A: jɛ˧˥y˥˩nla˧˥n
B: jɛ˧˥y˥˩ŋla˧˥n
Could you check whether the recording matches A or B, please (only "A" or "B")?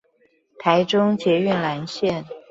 A